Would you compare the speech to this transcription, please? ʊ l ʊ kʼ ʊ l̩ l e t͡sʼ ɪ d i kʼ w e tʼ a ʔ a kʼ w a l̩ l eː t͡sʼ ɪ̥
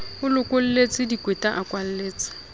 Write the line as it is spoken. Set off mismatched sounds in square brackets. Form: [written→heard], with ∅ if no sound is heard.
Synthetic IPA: ʊ l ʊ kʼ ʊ l̩ l e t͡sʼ ɪ d i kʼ w e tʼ a ʔ a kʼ w a l̩ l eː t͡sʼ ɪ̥